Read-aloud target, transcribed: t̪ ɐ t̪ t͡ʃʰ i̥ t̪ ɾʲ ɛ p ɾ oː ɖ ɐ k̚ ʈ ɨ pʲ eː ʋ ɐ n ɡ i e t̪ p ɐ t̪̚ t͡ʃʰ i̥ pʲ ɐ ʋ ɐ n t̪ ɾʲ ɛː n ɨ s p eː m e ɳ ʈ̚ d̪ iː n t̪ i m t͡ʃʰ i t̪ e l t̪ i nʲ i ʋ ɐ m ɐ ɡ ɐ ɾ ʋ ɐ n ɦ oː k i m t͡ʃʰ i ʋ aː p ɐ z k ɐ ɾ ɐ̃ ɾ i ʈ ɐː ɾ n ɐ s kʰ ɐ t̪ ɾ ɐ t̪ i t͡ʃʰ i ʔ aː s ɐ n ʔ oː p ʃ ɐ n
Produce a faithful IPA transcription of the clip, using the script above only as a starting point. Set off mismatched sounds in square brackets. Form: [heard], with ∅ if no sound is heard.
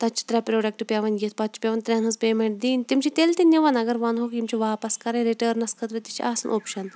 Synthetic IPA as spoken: t̪ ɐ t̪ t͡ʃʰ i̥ t̪ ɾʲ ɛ p ɾ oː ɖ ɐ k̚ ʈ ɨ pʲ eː ʋ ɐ n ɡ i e t̪ p ɐ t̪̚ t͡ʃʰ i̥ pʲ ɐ ʋ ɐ n t̪ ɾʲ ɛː n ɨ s p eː m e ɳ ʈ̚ d̪ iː n t̪ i m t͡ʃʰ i t̪ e l t̪ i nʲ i ʋ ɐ [n] ɐ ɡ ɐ ɾ ʋ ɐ n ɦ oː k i m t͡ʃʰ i ʋ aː p ɐ [s] k ɐ ɾ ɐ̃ ɾ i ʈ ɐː ɾ n ɐ s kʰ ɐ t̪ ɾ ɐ t̪ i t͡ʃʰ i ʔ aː s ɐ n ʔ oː p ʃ ɐ n